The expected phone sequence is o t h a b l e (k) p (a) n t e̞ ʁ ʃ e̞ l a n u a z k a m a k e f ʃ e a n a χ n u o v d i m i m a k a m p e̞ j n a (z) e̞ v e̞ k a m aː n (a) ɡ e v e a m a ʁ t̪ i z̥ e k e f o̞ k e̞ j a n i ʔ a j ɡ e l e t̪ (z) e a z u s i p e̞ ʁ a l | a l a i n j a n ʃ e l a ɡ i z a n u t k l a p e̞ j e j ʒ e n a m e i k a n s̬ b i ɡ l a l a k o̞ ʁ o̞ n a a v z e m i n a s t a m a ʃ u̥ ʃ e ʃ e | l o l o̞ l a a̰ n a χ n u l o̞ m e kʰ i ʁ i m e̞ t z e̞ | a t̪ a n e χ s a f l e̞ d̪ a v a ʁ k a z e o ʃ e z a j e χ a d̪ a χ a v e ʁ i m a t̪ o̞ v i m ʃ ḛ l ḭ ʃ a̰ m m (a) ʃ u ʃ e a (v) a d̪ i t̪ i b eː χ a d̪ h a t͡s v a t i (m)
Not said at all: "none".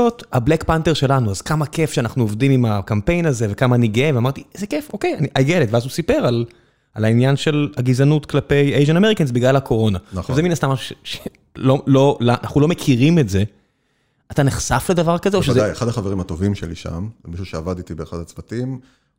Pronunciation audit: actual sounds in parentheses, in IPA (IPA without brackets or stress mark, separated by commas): k, a, z, i, v, i, v, m